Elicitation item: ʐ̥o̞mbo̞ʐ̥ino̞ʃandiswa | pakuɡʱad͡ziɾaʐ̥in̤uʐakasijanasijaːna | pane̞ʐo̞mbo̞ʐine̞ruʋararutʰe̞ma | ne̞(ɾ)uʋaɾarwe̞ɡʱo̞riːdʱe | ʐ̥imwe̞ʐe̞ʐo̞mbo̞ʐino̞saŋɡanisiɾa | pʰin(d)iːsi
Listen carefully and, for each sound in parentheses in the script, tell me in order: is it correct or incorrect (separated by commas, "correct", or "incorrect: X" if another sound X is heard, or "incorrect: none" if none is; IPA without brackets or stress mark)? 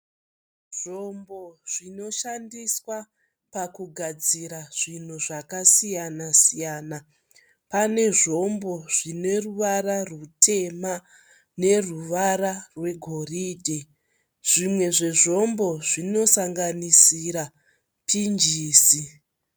incorrect: r, incorrect: d͡ʒ